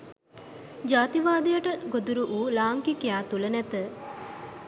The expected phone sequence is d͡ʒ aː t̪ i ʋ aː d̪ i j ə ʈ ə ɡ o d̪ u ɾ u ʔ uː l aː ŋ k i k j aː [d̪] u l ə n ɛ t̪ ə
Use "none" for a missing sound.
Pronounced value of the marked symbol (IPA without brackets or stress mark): t̪